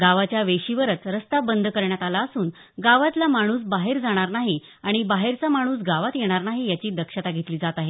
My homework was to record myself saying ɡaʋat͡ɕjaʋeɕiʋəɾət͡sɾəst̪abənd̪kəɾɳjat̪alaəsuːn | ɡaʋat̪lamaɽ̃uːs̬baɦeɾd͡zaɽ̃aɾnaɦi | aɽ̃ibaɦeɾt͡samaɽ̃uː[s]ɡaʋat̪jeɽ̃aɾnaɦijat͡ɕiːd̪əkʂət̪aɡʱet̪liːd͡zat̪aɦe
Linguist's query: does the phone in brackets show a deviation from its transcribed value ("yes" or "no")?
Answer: no